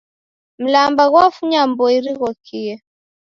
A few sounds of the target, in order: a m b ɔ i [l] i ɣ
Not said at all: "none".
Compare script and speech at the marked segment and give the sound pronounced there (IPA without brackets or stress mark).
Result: ɾ